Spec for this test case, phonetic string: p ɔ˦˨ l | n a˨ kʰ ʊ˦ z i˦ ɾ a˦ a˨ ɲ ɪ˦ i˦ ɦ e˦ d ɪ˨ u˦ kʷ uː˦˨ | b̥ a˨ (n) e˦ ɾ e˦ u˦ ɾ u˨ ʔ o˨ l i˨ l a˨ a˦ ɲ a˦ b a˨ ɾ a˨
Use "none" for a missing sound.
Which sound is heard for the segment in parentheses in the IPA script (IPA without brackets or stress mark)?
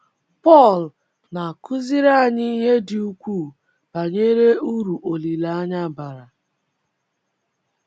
ɲ